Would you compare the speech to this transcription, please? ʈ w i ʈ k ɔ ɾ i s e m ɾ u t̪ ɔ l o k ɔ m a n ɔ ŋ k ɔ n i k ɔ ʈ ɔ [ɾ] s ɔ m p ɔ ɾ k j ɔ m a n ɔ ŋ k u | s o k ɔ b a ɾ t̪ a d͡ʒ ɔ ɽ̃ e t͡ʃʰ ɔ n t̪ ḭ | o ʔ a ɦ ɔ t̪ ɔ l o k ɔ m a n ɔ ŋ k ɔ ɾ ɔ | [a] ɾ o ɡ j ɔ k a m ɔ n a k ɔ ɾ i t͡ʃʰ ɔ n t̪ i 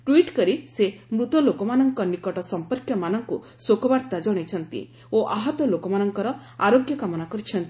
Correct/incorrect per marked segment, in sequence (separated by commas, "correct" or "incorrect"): incorrect, correct